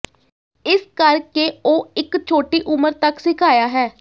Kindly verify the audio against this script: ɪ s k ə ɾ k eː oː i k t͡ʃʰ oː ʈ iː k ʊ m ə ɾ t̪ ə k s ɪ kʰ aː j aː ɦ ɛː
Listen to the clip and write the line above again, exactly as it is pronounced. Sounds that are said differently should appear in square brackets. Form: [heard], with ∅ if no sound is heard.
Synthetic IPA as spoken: ɪ s k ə ɾ k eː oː [ɪ] k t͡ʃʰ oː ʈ iː [ʔ] ʊ m ə ɾ t̪ ə k s ɪ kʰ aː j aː ɦ ɛː